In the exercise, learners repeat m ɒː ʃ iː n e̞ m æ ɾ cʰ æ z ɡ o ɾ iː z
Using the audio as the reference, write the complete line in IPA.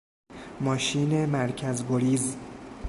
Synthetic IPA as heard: m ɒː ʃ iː n e̞ m æ ɾ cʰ æ z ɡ o ɾ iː z